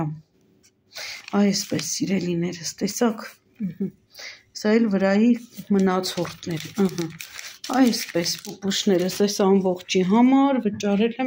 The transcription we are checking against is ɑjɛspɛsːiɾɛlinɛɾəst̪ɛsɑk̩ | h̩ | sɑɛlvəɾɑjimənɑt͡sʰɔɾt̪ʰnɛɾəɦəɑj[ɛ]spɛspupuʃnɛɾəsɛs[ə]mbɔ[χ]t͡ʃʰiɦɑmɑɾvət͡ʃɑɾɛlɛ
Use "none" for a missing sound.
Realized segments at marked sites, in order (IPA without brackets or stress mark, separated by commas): ɛ, ɑ, χ